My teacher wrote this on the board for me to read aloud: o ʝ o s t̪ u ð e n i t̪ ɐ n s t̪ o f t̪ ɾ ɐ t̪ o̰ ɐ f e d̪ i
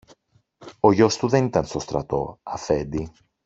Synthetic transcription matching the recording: o ʝ o s t̪ u ð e n i t̪ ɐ n s t̪ o s t̪ ɾ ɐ t̪ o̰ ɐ f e d̪ i